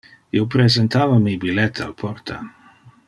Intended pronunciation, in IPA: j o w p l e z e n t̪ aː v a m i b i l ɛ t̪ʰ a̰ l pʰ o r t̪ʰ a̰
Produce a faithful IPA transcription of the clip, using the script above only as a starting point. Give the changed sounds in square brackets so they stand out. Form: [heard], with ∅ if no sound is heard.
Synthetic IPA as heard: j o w p [ɾ] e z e n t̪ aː v a m i b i l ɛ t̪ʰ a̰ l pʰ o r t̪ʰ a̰

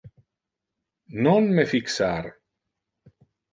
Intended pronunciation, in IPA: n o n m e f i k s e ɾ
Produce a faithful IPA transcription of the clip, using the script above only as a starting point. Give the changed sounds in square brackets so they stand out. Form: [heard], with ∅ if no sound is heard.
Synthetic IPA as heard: n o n m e f i k s [a] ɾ

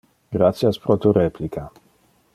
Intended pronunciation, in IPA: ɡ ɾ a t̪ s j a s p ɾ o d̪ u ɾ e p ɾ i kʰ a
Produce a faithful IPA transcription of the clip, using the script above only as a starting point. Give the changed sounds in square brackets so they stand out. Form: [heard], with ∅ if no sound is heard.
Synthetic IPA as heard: ɡ ɾ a t̪ s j a s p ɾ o [t̪] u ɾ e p [l] i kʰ a

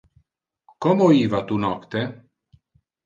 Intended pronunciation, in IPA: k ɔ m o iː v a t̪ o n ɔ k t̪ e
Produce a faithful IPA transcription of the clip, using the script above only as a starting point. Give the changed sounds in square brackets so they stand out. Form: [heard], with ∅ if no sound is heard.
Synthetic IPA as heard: k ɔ m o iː v a t̪ [u] n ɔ k t̪ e

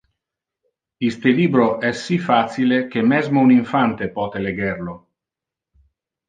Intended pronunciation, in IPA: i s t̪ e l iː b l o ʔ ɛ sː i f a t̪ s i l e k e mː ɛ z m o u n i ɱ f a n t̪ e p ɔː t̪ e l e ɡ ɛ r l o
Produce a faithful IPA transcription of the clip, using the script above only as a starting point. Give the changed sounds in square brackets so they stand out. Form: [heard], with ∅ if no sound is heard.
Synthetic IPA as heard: i s t̪ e l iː b [ɾ] o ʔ ɛ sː i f a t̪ s i l e k e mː ɛ z m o u n i ɱ f a n t̪ e p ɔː t̪ e l e ɡ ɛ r l o

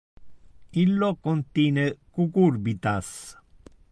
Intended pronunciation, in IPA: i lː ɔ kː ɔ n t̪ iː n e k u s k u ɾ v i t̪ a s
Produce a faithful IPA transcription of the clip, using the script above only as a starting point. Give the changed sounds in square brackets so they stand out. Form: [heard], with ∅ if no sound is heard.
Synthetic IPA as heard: i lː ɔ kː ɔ n t̪ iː n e k u [∅] k u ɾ [b] i t̪ a s

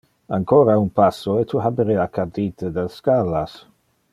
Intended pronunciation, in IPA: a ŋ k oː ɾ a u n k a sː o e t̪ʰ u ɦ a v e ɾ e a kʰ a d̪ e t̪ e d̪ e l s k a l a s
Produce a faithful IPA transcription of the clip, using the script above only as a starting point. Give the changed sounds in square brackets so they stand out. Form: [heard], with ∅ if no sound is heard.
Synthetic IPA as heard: a ŋ k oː ɾ a u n [p] a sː o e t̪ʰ u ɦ a [b] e ɾ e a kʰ a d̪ [i] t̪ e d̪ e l s k a l a s

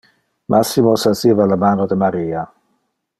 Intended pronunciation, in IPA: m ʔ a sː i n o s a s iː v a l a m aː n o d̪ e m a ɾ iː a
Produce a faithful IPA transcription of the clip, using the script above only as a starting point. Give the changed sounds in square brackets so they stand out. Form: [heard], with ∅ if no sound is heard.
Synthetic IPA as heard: m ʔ a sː i [m] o s a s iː v a l a m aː n o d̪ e m a ɾ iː a

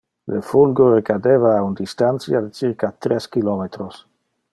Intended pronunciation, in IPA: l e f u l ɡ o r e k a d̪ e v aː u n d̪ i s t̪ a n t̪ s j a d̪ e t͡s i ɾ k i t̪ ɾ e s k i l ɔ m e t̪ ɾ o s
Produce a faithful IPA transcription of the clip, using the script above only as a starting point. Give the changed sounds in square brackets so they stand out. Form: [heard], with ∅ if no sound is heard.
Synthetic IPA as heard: l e f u l ɡ o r e k a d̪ e v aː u n d̪ i s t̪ a n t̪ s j a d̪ e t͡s i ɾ k [a] t̪ ɾ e s k i l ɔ m e t̪ ɾ o s

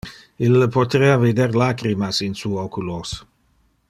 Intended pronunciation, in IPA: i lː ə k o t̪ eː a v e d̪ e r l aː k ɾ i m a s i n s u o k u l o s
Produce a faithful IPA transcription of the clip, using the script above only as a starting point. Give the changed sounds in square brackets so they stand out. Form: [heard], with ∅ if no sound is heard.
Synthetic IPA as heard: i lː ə [p] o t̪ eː a v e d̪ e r l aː k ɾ i m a s i n s u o k u l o s

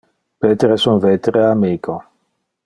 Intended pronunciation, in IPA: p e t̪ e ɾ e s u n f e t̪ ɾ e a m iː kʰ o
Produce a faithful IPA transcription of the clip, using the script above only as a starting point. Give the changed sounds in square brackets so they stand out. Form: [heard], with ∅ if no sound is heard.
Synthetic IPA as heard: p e t̪ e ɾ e s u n [v] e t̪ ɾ e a m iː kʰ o

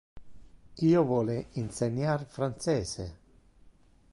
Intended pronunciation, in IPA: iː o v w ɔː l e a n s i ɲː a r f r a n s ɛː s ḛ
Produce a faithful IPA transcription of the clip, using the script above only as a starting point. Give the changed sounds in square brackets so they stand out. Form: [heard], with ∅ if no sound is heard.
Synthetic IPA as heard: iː o v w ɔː l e [i] n s [e] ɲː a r f [ɾ] a n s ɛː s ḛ

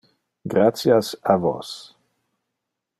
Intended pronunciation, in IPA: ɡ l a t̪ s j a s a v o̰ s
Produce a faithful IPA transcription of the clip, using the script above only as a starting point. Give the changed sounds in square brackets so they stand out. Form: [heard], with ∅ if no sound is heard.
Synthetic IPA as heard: ɡ [ɾ] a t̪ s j a s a v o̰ s

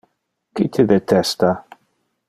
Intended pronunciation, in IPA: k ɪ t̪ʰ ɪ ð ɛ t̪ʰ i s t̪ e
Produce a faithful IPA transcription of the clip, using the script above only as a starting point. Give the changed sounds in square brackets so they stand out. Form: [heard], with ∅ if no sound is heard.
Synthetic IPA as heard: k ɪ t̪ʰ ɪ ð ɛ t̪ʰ [ɛ] s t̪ [a]

